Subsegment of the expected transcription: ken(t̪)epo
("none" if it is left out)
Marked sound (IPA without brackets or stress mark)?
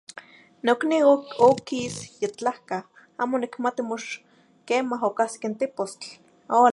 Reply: t̪